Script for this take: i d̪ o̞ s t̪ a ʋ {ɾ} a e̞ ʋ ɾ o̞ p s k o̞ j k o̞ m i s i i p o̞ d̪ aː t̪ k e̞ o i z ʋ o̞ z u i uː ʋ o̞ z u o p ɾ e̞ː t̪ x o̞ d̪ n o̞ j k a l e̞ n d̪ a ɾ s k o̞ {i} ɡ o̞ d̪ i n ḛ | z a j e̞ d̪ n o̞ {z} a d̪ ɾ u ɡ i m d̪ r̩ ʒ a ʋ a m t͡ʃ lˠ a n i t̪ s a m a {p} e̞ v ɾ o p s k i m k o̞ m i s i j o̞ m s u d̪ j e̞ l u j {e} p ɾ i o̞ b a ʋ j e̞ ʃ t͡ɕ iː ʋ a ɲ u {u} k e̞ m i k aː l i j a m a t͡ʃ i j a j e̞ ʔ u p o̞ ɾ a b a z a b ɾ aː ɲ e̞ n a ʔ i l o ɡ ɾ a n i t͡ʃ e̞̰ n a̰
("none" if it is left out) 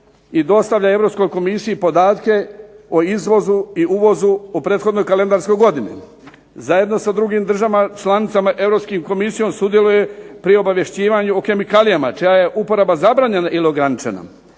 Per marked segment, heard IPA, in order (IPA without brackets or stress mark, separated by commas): ʎ, j, s, ʔ, e, o